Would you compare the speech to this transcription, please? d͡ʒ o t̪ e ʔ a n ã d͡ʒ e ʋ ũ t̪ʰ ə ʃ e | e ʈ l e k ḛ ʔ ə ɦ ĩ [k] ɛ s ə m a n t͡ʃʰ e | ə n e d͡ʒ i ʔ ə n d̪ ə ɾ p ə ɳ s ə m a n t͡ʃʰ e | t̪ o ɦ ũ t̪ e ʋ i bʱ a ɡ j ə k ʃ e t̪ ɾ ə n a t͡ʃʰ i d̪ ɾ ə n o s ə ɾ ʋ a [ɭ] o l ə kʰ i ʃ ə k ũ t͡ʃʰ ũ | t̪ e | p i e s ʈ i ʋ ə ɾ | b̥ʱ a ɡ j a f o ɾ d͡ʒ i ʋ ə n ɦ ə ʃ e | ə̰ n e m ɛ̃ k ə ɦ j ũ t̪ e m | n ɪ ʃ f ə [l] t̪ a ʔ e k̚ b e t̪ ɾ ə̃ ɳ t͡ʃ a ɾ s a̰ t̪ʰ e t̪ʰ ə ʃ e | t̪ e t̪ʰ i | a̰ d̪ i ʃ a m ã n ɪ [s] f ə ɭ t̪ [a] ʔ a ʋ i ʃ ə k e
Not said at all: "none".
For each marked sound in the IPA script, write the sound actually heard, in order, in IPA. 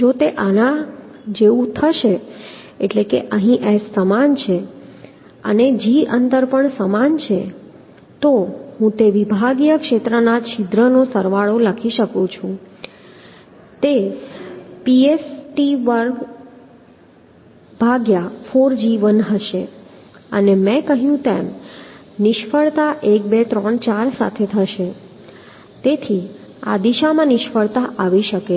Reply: ʔ, ɭ, ɭ, ʃ, a

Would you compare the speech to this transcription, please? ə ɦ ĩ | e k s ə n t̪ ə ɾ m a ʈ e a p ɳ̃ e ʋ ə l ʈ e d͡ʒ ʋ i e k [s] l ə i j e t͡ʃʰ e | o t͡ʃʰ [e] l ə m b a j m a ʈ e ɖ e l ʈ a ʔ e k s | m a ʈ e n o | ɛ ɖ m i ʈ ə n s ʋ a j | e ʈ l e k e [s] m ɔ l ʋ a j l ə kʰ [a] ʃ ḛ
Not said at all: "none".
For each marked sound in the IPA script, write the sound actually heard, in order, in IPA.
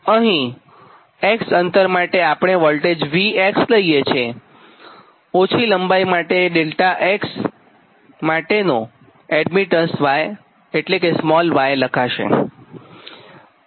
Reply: s, i, s, a

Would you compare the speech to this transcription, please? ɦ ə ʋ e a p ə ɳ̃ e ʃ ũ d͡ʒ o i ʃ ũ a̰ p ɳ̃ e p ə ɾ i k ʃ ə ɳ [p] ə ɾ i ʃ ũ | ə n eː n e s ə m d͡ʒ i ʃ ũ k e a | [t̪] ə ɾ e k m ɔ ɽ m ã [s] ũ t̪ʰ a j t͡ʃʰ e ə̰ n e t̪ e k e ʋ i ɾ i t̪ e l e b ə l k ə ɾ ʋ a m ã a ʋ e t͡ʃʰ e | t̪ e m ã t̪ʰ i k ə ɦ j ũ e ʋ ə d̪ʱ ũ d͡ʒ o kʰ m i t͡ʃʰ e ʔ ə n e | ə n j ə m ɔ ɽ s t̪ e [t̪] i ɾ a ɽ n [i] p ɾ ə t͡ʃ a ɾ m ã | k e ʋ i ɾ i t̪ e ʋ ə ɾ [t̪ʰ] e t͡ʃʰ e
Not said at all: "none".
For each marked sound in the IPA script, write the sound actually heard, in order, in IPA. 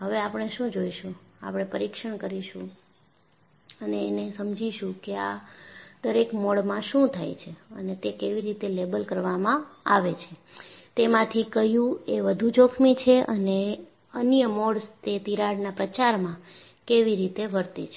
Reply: k, d̪, ʃ, t̪, a, t̪

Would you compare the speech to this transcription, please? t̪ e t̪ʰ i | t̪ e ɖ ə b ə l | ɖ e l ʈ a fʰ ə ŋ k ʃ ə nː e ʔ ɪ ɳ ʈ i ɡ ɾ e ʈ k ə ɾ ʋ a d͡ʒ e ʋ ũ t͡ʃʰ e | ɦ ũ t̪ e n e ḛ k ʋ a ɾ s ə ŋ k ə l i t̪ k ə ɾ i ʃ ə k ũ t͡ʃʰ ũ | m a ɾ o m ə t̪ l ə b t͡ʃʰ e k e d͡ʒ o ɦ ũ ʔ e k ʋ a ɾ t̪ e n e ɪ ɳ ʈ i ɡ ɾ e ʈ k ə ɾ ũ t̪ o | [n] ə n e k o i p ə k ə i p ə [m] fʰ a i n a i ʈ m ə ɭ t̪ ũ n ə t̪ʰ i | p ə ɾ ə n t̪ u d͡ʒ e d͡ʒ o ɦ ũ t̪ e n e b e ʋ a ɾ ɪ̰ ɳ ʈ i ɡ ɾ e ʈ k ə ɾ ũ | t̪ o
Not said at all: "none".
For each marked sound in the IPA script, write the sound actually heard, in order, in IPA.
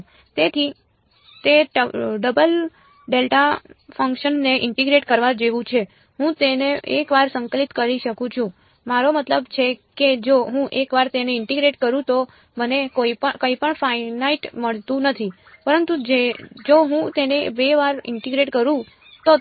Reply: m, ɳ

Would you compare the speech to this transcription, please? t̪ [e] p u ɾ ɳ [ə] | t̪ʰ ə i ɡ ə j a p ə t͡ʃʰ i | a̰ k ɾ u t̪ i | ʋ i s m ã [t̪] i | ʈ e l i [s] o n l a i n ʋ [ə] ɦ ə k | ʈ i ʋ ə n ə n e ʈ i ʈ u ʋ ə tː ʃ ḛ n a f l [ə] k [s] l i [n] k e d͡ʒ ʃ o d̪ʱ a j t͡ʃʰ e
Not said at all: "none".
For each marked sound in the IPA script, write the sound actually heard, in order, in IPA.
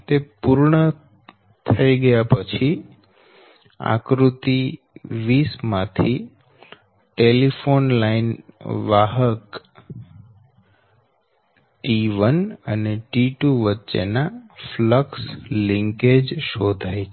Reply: e, ə, t̪ʰ, f, a, ə, s, ŋ

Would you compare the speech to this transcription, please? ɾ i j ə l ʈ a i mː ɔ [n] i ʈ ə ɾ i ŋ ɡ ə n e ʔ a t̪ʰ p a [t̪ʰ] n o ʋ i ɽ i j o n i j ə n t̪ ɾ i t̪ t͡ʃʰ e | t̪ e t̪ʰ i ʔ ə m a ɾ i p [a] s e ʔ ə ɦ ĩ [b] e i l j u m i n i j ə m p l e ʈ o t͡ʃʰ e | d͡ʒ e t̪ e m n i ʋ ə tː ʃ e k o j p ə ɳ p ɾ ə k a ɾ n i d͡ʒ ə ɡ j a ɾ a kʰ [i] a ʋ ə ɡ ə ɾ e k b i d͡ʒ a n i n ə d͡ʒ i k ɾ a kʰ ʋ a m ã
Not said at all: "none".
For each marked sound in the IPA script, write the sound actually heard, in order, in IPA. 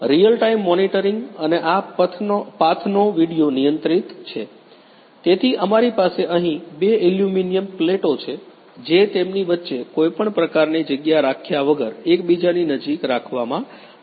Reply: n, t̪ʰ, a, b, j

